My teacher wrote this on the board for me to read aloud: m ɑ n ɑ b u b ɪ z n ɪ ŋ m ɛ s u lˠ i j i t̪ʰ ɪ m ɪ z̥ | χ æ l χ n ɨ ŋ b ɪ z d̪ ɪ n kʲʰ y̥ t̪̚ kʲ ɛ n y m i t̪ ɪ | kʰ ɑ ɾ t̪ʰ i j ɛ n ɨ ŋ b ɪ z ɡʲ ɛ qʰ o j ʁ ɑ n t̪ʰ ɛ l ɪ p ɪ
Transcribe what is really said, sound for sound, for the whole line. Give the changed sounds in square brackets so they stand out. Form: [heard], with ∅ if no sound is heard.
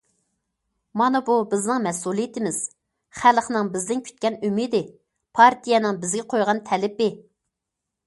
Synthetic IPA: m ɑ n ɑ b u b ɪ z n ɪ ŋ m ɛ s u lˠ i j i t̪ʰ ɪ m ɪ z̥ | χ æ l χ n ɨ ŋ b ɪ z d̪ ɪ n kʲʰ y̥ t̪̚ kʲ ɛ n y m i [d̪] ɪ | [pʰ] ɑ ɾ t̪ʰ i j ɛ n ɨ ŋ b ɪ z ɡʲ ɛ qʰ o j ʁ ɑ n t̪ʰ ɛ l ɪ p ɪ